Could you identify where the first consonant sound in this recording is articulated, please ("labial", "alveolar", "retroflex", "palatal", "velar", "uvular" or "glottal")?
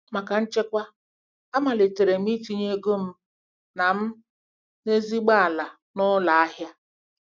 labial